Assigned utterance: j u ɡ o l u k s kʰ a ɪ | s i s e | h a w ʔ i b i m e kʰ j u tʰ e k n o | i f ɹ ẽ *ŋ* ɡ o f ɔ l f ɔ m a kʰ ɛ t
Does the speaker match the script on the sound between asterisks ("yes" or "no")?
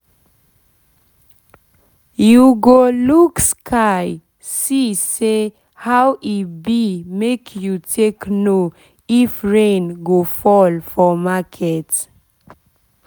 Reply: no